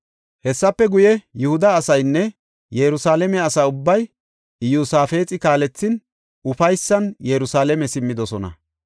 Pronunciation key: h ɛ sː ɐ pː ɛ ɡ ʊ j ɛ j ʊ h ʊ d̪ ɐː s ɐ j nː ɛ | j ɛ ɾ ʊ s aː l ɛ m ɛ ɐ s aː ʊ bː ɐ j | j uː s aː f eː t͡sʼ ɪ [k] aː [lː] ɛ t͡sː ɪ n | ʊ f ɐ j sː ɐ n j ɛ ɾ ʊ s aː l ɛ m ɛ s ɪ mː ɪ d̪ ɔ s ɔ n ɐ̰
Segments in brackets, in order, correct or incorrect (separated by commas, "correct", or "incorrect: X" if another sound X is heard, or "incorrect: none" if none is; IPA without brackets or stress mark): correct, incorrect: l